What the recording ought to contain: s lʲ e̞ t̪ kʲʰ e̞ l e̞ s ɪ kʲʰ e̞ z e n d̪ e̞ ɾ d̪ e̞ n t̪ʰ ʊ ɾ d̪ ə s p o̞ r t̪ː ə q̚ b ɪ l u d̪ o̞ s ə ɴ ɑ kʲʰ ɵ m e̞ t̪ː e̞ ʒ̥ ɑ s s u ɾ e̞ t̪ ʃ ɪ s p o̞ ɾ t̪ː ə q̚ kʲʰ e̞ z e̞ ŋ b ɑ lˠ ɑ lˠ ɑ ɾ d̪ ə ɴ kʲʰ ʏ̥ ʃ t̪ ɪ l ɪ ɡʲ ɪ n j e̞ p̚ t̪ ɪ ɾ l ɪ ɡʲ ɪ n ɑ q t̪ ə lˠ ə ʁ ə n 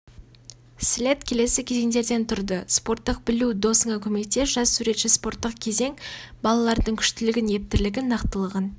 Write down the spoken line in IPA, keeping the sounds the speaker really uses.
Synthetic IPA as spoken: s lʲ e̞ t̪ kʲʰ e̞ l e̞ s ɪ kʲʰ e̞ z e ŋ d̪ e̞ ɾ d̪ e̞ n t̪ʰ ʊ ɾ d̪ ə s p o̞ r t̪ː ə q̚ b ɪ l u d̪ o̞ s ə ɴ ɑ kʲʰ ɵ m e̞ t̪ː e̞ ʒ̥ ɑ s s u ɾ e̞ t̪ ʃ ɪ s p o̞ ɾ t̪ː ə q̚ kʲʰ e̞ z e̞ ŋ b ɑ lˠ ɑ lˠ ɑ ɾ d̪ ə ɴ kʲʰ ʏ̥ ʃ t̪ ɪ l ɪ ɡʲ ɪ n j e̞ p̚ t̪ ɪ ɾ l ɪ ɡʲ ɪ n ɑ q t̪ ə lˠ ə ʁ ə n

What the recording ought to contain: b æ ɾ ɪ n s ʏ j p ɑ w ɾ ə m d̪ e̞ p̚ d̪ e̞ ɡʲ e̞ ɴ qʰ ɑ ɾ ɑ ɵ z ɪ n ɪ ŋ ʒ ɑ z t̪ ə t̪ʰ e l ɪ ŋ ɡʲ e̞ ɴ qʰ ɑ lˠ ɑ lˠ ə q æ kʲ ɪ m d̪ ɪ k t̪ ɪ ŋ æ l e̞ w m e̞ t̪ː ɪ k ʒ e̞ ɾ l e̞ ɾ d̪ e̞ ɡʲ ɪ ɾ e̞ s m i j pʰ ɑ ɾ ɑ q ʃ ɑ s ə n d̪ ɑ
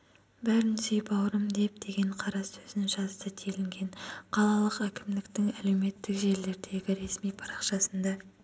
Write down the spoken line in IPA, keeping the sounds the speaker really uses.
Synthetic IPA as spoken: b æ ɾ ɪ n s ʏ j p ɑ w ɾ ə m d̪ e̞ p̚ d̪ e̞ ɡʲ e̞ ɴ qʰ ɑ ɾ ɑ ɵ z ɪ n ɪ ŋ ʒ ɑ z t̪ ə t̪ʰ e l ɪ ŋ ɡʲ e̞ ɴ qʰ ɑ lˠ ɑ lˠ ə q æ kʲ ɪ m d̪ ɪ k t̪ ɪ ŋ æ l e̞ w m e̞ t̪ː ɪ k ʒ e̞ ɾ l e̞ ɾ d̪ e̞ ɡʲ ɪ ɾ e̞ s m i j pʰ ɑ ɾ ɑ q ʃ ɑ s ə n d̪ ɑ

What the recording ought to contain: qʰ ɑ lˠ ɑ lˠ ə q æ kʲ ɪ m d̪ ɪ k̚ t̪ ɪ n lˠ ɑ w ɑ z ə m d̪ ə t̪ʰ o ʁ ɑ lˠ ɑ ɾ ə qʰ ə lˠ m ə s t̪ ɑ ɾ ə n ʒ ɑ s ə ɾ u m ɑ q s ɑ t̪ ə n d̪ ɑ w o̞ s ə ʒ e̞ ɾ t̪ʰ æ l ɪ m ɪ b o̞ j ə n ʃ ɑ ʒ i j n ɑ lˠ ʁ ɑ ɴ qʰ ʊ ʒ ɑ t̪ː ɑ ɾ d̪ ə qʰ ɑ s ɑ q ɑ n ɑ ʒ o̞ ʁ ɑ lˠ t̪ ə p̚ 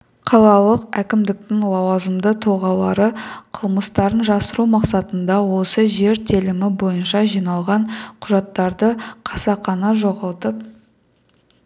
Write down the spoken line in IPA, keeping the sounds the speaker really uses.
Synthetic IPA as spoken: qʰ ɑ lˠ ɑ lˠ ə q æ kʲ ɪ m d̪ ɪ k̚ t̪ ɪ ŋ lˠ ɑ w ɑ z ə m d̪ ə t̪ʰ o ʁ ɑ lˠ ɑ ɾ ə qʰ ə lˠ m ə s t̪ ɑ ɾ ə n ʒ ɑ s ə ɾ u m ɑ q s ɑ t̪ ə n d̪ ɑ w o̞ s ə ʒ e̞ ɾ t̪ʰ e l ɪ m ɪ b o̞ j ə n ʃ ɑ ʒ i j n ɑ lˠ ʁ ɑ ɴ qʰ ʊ ʒ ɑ t̪ː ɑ ɾ d̪ ə qʰ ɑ s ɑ q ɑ n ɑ ʒ o̞ ʁ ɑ lˠ t̪ ə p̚

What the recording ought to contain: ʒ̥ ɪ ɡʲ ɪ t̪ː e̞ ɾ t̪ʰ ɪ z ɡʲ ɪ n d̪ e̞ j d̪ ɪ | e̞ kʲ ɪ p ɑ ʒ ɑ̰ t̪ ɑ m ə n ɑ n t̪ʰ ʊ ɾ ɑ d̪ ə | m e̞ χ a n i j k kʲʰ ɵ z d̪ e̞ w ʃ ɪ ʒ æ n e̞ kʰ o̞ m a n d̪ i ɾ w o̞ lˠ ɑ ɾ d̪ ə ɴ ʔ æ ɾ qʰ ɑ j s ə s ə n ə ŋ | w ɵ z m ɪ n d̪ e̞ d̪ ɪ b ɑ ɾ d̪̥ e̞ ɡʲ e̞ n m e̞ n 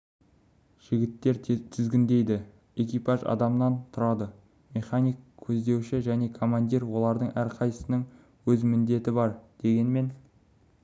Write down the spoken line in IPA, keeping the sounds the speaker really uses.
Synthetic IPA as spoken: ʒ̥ ɪ ɡʲ ɪ t̪ː e̞ ɾ t̪ʰ ɪ z ɡʲ ɪ n d̪ e̞ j d̪ ɪ | e̞ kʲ i p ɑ ʒ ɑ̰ d̪ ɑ m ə n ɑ n t̪ʰ ʊ ɾ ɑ d̪ ə | m e̞ χ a n i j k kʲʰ ɵ z d̪ e̞ w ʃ ɪ ʒ æ n e̞ kʰ o̞ m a n d̪ i ɾ w o̞ lˠ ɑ ɾ d̪ ə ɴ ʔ æ ɾ qʰ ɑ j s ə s ə n ə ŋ | w ɵ z m ɪ n d̪ e̞ t̪ ɪ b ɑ ɾ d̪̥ e̞ ɡʲ e̞ n m e̞ n

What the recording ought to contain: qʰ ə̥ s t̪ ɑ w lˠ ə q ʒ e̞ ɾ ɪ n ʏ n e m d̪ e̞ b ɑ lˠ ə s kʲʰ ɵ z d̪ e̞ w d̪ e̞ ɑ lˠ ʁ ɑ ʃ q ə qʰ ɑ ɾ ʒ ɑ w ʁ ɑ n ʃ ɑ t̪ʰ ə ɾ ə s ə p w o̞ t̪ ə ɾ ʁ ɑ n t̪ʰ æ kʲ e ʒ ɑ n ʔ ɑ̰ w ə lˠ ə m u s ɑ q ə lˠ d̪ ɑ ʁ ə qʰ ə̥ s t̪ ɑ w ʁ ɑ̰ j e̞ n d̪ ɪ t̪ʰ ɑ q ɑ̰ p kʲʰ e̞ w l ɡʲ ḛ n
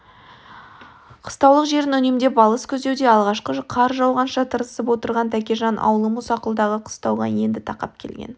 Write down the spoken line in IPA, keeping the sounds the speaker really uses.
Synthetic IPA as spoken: qʰ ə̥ s t̪ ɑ w lˠ ə q ʒ e̞ ɾ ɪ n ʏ n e m d̪ e̞ b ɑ lˠ ə s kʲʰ ɵ z d̪ e̞ w d̪ e̞ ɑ lˠ ʁ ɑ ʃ q ə qʰ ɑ ɾ ʒ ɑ w ʁ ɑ n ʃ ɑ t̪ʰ ə ɾ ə s ə p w o̞ t̪ ə ɾ ʁ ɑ n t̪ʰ æ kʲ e ʒ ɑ n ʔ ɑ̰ w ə lˠ ə m u s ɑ q ə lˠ d̪ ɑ ʁ ə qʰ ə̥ s t̪ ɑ w ʁ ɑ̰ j e̞ n d̪ ɪ t̪ʰ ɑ q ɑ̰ p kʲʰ e̞ l ɡʲ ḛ n

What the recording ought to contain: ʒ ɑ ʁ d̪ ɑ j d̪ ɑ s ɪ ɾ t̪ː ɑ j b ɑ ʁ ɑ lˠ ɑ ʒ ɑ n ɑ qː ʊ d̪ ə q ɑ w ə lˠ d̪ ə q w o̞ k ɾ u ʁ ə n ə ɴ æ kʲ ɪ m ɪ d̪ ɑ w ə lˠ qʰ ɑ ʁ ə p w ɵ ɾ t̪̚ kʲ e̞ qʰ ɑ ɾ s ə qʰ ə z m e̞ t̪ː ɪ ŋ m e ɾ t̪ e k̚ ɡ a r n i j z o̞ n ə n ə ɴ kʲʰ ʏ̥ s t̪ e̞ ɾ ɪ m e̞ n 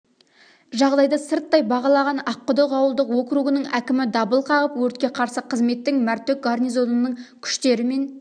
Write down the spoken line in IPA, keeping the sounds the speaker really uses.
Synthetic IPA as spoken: ʒ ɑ ʁ d̪ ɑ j d̪ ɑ s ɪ ɾ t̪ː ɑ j b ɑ ʁ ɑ lˠ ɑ ʁ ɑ n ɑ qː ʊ d̪ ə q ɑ w ə lˠ d̪ ə q w o̞ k ɾ u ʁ ə n ə ɴ æ kʲ ɪ m ɪ d̪ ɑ b ə lˠ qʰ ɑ ʁ ə p w ɵ ɾ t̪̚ kʲ e̞ qʰ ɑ ɾ s ə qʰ ə z m e̞ t̪ː ɪ ŋ m æ ɾ t̪ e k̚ ɡ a r n i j z o̞ n ə n ə ɴ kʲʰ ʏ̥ ʃ t̪ e̞ ɾ ɪ m e̞ n

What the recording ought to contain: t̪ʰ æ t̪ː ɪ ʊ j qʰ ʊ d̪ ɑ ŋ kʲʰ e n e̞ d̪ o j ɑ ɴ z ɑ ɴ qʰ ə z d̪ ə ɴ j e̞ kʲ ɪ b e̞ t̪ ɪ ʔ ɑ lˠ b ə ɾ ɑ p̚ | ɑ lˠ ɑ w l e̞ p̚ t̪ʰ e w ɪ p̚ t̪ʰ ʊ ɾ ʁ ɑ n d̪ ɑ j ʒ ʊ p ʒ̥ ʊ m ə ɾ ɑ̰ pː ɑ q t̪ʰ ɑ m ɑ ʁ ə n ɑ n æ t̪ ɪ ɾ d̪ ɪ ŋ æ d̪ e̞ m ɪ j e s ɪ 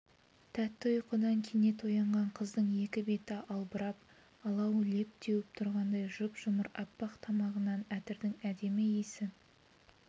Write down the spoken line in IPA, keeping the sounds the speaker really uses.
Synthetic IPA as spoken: t̪ʰ æ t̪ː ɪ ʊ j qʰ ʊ d̪ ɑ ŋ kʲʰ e n e̞ t̪ o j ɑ ɴ ʁ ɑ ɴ qʰ ə z d̪ ə ɴ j e̞ kʲ ɪ b e̞ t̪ ɪ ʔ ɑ lˠ b ə ɾ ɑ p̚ | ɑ lˠ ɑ w l e̞ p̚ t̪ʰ e w ɪ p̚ t̪ʰ ʊ ɾ ʁ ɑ n d̪ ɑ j ʒ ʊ p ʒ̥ ʊ m ə ɾ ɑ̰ pː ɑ q t̪ʰ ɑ m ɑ ʁ ə n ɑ n æ t̪ ɪ ɾ d̪ ɪ ŋ æ d̪ e̞ m ɪ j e s ɪ

